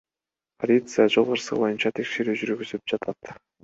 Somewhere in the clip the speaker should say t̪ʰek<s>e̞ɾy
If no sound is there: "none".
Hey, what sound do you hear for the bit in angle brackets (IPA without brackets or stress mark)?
ʃ